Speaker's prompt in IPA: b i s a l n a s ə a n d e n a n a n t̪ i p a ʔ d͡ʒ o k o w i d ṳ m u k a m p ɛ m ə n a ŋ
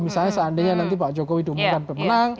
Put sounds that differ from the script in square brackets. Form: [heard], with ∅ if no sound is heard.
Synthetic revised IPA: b i s a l [ɲ] a s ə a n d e [ɲ] a n a n t̪ i p a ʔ d͡ʒ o k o w i d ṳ m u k a [n] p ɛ m ə n a ŋ